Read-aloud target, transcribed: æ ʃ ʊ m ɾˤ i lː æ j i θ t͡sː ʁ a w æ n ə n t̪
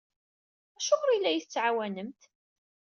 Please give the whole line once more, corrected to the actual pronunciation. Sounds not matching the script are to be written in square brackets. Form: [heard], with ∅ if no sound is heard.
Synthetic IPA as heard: æ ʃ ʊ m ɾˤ i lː æ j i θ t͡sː [ʕ] a w æ n ə [m] t̪